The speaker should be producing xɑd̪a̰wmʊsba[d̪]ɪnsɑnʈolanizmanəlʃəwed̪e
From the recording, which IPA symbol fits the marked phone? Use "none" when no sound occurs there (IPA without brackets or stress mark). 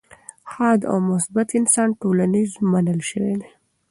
t̪